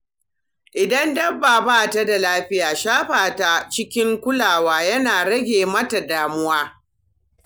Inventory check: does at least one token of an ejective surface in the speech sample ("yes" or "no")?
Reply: no